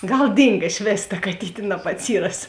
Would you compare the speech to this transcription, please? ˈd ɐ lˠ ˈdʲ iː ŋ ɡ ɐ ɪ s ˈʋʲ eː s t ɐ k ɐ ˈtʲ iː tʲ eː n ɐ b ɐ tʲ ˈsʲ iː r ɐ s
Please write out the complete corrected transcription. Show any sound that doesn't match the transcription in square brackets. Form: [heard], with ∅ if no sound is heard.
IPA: [ˈɡ] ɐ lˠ ˈdʲ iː ŋ ɡ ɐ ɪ [ʃ] ˈʋʲ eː s t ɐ k ɐ ˈtʲ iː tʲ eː n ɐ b ɐ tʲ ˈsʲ iː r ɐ s